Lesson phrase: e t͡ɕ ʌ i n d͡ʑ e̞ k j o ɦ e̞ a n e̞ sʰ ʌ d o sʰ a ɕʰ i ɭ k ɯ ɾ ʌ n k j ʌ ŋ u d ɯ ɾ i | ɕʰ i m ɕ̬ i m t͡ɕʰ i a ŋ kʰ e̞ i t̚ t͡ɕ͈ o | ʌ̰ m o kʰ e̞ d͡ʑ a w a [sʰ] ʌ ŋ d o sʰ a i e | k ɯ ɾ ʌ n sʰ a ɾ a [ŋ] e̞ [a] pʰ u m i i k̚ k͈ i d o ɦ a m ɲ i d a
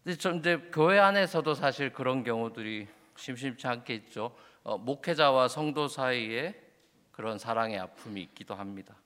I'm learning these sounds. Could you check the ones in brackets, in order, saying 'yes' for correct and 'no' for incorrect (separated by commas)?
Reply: yes, yes, yes